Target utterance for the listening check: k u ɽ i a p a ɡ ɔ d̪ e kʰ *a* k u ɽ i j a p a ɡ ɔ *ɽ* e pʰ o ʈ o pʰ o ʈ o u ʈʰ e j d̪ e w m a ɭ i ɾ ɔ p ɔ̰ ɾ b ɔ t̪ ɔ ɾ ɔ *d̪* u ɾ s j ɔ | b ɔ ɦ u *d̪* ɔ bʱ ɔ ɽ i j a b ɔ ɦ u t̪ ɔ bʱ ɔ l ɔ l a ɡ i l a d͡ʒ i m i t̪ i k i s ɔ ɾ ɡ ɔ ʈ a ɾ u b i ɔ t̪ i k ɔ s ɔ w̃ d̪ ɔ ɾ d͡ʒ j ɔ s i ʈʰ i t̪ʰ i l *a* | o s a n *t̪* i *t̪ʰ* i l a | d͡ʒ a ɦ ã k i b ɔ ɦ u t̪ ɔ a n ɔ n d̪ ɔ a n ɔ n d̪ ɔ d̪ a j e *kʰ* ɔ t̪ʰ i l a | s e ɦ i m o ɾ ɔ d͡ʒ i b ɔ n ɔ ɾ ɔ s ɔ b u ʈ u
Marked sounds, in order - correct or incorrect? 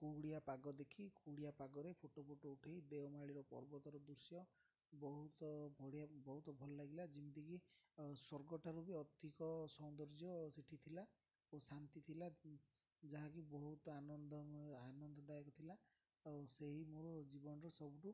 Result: incorrect: i, incorrect: ɾ, correct, incorrect: t̪, correct, correct, correct, incorrect: k

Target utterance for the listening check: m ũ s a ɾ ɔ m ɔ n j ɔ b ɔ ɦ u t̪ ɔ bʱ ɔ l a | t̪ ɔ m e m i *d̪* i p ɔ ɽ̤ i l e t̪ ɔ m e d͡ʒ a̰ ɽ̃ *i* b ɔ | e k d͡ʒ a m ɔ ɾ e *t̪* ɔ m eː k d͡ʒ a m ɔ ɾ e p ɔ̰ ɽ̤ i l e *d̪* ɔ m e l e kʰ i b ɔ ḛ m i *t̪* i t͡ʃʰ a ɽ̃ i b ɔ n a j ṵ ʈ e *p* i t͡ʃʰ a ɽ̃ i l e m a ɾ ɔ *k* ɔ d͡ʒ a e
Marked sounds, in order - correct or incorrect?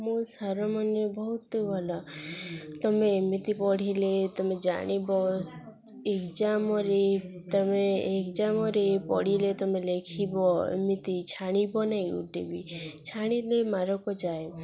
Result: incorrect: t̪, correct, correct, incorrect: t̪, correct, incorrect: b, correct

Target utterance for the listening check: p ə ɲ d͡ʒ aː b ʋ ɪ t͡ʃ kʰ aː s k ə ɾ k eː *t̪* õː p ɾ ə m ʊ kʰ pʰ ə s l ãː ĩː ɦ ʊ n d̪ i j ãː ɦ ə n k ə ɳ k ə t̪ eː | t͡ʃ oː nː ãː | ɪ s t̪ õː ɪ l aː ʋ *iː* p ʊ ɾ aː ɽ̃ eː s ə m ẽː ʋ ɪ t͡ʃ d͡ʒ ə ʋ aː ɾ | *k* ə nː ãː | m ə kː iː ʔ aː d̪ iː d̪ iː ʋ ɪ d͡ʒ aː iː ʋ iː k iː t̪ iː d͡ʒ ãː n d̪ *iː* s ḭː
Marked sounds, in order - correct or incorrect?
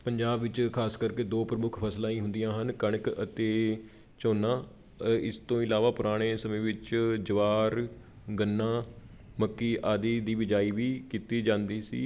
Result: incorrect: d̪, incorrect: aː, incorrect: ɡ, correct

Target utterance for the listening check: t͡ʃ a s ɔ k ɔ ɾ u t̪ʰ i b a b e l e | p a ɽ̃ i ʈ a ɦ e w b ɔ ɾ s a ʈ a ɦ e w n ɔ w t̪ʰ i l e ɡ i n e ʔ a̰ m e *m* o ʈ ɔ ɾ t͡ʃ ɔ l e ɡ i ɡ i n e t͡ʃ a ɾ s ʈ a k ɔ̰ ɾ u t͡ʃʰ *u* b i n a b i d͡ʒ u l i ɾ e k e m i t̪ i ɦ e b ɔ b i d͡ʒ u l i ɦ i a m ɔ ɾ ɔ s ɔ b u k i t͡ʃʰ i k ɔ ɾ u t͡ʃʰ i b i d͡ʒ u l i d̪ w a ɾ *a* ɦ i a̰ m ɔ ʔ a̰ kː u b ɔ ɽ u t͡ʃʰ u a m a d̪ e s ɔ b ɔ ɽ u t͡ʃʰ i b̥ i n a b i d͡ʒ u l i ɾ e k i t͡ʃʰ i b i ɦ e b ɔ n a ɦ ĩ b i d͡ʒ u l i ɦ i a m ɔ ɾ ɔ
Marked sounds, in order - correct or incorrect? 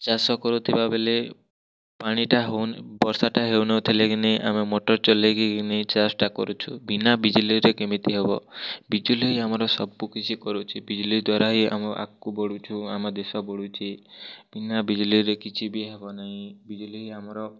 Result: correct, correct, correct

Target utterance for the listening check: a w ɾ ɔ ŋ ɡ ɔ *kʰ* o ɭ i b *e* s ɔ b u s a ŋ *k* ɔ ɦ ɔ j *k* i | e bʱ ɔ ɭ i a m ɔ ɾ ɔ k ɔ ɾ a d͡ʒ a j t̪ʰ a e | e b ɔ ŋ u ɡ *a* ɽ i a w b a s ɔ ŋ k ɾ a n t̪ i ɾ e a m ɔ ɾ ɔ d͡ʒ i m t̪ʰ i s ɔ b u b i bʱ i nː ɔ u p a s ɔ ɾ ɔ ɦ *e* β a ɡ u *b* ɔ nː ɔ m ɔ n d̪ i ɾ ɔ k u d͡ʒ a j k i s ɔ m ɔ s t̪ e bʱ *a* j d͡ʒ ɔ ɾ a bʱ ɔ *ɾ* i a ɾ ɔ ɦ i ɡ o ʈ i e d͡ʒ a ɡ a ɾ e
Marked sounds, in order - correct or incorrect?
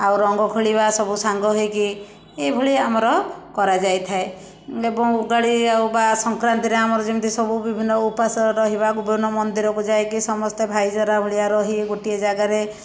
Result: correct, incorrect: a, incorrect: ɡ, correct, correct, incorrect: i, correct, correct, incorrect: ɭ

